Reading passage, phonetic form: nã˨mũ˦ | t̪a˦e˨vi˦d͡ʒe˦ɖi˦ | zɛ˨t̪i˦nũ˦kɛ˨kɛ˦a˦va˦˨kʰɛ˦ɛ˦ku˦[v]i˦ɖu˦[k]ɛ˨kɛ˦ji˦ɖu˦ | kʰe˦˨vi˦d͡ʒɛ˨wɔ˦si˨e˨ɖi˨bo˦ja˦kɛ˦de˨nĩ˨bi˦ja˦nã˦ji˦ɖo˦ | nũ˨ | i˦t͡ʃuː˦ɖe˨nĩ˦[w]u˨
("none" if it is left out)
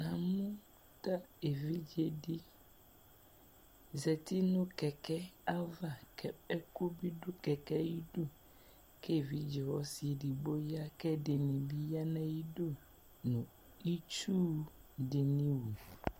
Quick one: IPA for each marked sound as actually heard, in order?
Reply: b, k, w

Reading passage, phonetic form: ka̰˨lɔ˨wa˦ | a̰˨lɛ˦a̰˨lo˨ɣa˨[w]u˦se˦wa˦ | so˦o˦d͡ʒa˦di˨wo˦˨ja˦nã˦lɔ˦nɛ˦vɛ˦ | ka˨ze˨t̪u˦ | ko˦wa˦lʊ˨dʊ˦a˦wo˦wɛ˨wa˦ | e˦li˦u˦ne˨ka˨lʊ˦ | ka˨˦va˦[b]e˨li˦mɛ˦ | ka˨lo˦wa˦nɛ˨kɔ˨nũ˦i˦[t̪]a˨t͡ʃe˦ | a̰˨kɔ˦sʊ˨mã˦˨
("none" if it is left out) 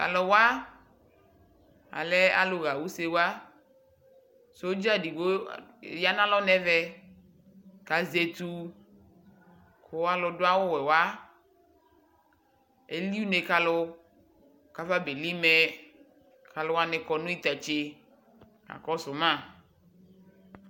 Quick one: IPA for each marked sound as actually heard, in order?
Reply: w, b, t̪

